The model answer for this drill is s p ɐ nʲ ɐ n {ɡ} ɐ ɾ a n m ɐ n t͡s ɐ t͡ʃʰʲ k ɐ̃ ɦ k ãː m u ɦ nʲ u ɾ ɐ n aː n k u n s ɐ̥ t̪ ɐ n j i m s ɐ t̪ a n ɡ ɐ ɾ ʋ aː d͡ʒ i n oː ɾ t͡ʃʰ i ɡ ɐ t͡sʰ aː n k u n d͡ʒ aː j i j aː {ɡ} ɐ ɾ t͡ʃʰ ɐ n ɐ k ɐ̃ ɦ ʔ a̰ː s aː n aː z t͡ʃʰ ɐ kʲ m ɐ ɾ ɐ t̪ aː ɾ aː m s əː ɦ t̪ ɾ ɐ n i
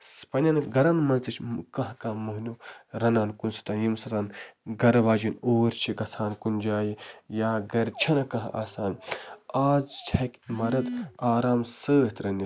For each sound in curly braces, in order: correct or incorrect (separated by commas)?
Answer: correct, correct